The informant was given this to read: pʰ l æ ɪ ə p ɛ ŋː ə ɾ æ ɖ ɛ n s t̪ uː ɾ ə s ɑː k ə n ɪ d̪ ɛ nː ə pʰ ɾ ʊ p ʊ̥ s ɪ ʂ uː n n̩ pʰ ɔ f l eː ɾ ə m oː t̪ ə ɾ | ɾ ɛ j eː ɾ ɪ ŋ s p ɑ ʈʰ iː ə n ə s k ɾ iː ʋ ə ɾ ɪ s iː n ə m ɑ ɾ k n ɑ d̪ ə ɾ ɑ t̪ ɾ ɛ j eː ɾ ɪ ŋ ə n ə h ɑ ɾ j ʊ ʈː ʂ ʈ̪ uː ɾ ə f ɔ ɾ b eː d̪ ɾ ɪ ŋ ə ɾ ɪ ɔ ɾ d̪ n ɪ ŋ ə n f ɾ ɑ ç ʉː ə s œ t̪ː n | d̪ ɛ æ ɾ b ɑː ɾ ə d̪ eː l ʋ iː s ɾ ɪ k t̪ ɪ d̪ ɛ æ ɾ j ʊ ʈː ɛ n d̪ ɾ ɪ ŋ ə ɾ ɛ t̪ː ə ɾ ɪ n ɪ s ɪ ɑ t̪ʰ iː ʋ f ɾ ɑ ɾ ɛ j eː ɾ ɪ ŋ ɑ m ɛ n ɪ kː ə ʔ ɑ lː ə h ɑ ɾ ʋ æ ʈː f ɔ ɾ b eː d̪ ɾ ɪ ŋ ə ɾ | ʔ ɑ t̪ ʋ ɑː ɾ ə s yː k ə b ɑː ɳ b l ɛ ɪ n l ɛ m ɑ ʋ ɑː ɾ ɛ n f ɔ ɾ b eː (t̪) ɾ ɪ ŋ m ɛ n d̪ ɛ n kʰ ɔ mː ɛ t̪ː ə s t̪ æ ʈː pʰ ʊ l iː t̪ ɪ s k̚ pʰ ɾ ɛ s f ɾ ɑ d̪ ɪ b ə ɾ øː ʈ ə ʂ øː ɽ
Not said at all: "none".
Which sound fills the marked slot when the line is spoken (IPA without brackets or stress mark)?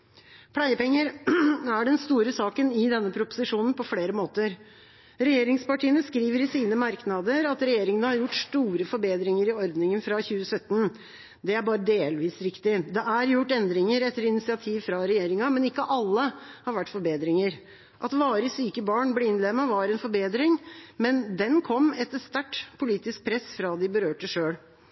d̪